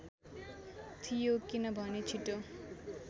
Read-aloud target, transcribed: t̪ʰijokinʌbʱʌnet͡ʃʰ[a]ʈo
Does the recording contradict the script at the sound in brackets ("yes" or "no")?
yes